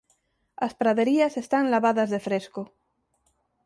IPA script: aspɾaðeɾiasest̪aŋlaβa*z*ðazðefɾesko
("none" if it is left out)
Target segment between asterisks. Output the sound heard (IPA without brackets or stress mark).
none